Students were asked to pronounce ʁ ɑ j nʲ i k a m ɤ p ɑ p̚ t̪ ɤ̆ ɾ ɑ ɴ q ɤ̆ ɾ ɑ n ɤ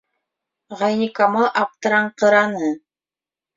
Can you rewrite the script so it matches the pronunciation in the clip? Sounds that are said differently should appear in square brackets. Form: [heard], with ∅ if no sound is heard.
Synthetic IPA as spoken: ʁ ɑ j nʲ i k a m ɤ [ʔ] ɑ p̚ t̪ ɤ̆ ɾ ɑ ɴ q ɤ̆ ɾ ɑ n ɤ

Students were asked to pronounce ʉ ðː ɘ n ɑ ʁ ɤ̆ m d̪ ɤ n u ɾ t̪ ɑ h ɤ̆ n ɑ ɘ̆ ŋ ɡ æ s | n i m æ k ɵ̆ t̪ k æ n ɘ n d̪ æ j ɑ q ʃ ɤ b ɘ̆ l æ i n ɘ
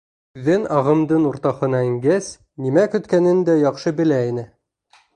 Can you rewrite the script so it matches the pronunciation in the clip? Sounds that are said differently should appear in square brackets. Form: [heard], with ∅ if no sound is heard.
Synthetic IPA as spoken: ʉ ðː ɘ n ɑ ʁ ɤ̆ m d̪ ɤ n u ɾ t̪ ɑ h ɤ̆ n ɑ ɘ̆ ŋ ɡ æ s | n i m æ k ɵ̆ t̪ k æ n ɘ n d̪ æ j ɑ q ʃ ɤ b ɘ̆ l æ i n ɘ

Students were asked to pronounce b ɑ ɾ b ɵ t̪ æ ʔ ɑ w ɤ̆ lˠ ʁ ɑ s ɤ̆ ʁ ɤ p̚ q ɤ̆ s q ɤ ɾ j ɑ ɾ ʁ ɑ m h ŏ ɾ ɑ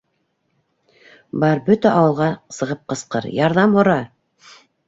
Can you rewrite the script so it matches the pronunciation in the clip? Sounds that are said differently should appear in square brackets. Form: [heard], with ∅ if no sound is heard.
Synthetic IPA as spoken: b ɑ ɾ b ɵ t̪ æ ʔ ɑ w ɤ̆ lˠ ʁ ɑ s ɤ̆ ʁ ɤ p̚ q ɤ̆ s q ɤ ɾ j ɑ ɾ [ð] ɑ m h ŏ ɾ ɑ

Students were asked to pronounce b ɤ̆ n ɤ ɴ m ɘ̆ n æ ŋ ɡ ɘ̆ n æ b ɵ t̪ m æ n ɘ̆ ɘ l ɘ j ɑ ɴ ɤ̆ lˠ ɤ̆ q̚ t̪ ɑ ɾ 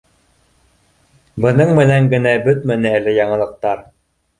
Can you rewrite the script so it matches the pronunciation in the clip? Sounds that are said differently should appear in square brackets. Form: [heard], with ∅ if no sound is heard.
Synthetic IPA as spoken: b ɤ̆ n ɤ ɴ m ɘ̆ n æ ŋ ɡ ɘ̆ n æ b ɵ t̪ m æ n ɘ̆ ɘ l ɘ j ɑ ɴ ɤ̆ lˠ ɤ̆ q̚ t̪ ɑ ɾ

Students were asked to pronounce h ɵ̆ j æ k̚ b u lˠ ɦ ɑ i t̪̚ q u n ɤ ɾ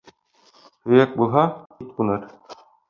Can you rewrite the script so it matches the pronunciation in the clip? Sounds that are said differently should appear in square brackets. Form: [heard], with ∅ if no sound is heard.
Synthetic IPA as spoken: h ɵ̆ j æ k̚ b u lˠ ɦ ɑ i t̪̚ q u n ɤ ɾ

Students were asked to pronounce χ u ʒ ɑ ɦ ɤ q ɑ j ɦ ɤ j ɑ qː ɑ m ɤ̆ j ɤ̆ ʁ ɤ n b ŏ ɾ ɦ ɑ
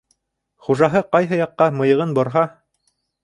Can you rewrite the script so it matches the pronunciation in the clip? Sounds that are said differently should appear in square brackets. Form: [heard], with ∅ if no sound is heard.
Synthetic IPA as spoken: χ u ʒ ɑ ɦ ɤ q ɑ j ɦ ɤ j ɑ qː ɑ m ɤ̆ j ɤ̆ ʁ ɤ n b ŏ ɾ ɦ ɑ

